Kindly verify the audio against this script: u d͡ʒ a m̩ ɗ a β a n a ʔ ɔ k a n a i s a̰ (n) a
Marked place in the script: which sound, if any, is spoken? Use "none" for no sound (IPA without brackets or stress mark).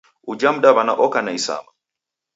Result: m